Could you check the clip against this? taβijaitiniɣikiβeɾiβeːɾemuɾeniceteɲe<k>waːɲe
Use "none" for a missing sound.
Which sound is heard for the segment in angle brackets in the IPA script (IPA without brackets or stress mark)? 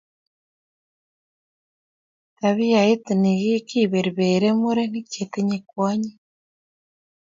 k